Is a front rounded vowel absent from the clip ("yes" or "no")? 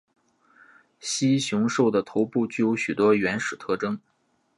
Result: no